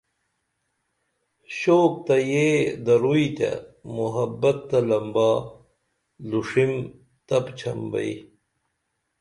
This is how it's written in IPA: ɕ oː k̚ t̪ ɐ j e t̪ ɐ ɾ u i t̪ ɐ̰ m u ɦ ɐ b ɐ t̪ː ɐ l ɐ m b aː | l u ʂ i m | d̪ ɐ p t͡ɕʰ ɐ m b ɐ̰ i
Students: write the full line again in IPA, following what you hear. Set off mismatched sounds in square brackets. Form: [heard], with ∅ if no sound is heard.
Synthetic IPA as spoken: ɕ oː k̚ t̪ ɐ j e [d̪] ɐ ɾ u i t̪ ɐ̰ m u ɦ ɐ b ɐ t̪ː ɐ l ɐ m b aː | l u ʂ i m | [t̪] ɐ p t͡ɕʰ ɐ m b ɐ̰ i